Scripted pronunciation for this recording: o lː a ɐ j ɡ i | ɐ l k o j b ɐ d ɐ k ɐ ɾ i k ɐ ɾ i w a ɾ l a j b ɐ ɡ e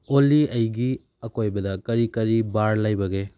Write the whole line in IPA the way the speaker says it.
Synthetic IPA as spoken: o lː i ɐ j ɡ i | ɐ k o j b ɐ d ɐ k ɐ ɾ i k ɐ ɾ i b a ɾ l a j b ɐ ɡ e